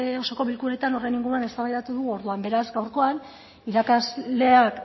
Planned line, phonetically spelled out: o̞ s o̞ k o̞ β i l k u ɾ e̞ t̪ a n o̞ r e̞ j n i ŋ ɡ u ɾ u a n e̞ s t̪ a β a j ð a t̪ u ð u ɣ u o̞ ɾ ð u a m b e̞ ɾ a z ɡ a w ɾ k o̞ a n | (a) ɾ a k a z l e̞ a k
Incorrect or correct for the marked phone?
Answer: incorrect: i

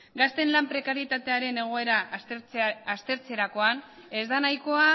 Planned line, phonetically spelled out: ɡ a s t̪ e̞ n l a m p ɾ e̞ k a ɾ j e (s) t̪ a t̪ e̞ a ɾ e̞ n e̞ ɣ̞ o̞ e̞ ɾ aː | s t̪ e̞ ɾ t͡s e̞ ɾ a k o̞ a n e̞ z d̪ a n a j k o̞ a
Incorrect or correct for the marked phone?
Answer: incorrect: none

